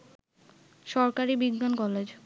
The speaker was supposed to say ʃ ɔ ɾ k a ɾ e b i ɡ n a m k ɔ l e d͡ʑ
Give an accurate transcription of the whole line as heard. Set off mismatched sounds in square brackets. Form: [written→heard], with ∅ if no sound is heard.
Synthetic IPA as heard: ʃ ɔ ɾ k a ɾ [e→i] b i ɡ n a [m→n] k ɔ l e d͡ʑ